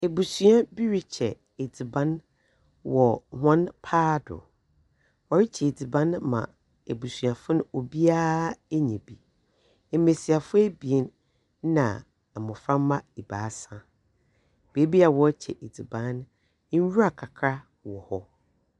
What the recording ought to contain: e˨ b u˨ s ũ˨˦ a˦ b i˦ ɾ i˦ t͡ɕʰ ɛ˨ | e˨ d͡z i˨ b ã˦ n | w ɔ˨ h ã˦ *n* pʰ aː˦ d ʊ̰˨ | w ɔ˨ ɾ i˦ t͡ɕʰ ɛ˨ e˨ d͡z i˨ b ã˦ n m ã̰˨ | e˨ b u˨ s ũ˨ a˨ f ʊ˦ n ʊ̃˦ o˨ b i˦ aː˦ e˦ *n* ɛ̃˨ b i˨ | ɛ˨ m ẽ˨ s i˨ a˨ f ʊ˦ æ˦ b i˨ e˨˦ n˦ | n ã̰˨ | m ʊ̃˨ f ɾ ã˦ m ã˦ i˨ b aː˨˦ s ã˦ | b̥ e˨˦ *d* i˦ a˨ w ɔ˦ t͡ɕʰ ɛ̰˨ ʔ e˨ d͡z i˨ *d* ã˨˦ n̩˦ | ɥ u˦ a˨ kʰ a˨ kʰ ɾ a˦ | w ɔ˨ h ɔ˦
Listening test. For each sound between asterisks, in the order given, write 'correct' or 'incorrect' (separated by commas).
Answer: correct, incorrect, incorrect, incorrect